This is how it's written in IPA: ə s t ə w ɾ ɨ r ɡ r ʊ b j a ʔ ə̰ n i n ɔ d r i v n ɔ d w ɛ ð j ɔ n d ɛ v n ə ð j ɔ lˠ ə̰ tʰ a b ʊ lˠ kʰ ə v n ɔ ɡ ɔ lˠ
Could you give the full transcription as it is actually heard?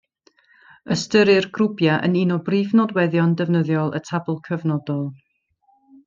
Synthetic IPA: ə s t ə ɾ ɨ r ɡ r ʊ b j a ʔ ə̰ n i n ɔ b r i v n ɔ d w ɛ ð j ɔ n d ɛ v n ə ð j ɔ lˠ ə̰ tʰ a b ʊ lˠ kʰ ə v n ɔ d ɔ lˠ

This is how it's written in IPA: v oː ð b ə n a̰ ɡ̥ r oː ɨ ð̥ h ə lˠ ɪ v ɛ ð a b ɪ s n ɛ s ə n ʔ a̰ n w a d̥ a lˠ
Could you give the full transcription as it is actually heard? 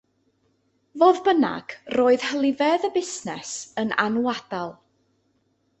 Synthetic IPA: v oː ð b ə n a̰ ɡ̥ r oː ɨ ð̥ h ə lˠ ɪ v ɛ ð ə b ɪ s n ɛ s ə n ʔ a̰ n w a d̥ a lˠ

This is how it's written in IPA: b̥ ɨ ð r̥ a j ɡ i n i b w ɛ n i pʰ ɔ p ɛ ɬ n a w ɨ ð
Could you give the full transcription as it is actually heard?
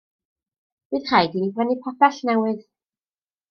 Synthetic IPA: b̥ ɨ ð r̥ a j d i n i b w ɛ n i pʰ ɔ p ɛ ɬ n ɛ w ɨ ð

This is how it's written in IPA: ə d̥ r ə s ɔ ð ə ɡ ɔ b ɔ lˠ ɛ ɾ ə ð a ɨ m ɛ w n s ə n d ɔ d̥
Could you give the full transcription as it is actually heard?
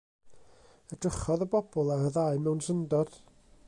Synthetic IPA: ə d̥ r ə χ ɔ ð ə b ɔ b ɔ lˠ a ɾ ə ð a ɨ m ɛ w n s ə n d ɔ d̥

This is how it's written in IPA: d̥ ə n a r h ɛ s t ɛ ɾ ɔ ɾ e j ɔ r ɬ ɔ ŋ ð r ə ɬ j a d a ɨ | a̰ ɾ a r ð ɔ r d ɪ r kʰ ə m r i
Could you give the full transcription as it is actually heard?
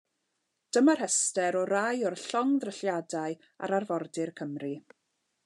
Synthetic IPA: d̥ ə m a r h ɛ s t ɛ ɾ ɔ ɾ a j ɔ r ɬ ɔ ŋ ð r ə ɬ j a d a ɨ | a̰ ɾ a r v ɔ r d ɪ r kʰ ə m r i

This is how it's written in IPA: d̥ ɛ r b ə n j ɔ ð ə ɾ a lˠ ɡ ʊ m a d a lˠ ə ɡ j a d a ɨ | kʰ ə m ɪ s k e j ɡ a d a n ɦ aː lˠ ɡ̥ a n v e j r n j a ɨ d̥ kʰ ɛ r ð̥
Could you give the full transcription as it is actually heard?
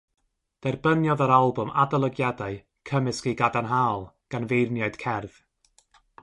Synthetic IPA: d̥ ɛ r b ə n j ɔ ð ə ɾ a lˠ b ʊ m a d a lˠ ə ɡ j a d a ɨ | kʰ ə m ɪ s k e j ɡ a d a n ɦ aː lˠ ɡ̥ a n v e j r n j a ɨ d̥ kʰ ɛ r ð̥

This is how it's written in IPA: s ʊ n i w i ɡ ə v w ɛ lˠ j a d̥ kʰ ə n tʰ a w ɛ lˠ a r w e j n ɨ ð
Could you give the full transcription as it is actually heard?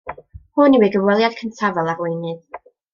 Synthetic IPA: h ʊ n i w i ɡ ə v w ɛ lˠ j a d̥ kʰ ə n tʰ a v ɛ lˠ a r w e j n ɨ ð

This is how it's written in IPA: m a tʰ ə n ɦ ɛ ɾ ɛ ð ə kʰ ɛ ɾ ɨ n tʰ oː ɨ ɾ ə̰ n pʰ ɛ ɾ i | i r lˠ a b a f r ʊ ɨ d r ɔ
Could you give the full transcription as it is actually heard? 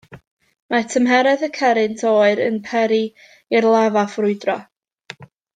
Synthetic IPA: m a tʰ ə m ɦ ɛ ɾ ɛ ð ə kʰ ɛ ɾ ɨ n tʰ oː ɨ ɾ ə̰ n pʰ ɛ ɾ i | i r lˠ a v a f r ʊ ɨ d r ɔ

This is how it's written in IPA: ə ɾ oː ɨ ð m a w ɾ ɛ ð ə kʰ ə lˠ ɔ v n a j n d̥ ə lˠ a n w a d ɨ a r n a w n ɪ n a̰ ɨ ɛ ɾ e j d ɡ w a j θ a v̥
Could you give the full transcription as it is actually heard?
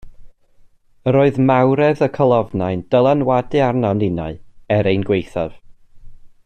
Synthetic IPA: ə ɾ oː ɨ ð m a w ɾ ɛ ð ə kʰ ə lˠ ɔ v n a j n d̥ ə lˠ a n w a d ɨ a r n a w n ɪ n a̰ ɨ ɛ ɾ e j n ɡ w e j θ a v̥

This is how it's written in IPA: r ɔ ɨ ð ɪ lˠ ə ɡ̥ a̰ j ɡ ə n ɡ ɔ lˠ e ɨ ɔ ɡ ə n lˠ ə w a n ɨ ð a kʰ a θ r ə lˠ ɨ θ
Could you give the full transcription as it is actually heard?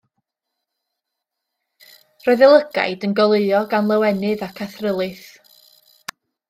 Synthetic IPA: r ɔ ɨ ð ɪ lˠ ə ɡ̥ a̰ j d ə n ɡ ɔ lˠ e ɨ ɔ ɡ a n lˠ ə w ɛ n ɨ ð a kʰ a θ r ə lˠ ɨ θ

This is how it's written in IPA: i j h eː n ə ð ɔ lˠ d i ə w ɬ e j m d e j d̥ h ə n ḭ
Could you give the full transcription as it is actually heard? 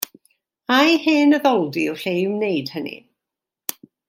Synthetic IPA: a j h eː n ə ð ɔ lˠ d i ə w ɬ e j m n e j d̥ h ə n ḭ

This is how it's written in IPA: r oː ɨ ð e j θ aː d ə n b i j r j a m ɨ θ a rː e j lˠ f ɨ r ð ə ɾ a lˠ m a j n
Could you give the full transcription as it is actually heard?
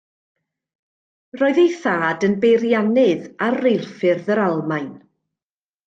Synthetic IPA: r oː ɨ ð e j θ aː d ə n b e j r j a n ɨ ð a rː e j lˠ f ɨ r ð ə ɾ a lˠ m a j n

